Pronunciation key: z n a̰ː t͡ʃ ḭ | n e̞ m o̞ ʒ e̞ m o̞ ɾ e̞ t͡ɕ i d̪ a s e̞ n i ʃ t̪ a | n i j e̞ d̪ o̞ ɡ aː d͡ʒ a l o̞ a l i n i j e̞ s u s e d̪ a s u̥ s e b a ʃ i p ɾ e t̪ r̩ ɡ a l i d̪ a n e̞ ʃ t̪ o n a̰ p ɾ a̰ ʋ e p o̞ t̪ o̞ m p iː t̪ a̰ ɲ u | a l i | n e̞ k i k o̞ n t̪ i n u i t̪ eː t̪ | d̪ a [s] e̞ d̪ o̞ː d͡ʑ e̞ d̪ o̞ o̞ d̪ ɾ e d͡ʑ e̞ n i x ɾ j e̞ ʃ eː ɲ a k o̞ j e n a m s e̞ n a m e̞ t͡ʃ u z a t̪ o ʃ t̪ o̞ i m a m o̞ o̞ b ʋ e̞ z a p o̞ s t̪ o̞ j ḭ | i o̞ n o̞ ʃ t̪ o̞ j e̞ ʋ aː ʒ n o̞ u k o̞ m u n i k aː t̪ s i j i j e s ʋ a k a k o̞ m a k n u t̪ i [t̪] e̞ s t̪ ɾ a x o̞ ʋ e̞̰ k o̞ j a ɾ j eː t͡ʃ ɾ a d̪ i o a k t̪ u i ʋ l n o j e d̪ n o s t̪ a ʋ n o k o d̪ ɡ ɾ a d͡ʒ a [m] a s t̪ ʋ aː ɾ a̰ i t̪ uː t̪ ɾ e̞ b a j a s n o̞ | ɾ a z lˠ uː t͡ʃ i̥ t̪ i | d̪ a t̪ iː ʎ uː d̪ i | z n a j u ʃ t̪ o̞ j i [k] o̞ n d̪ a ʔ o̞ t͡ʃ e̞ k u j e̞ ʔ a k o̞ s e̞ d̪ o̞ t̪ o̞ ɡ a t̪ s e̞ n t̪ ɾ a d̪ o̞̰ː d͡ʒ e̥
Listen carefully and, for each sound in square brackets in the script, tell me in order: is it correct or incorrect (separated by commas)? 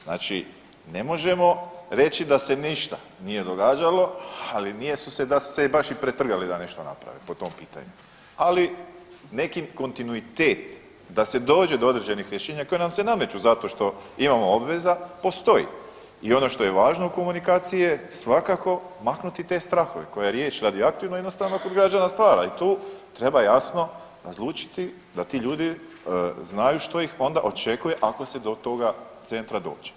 correct, correct, incorrect, incorrect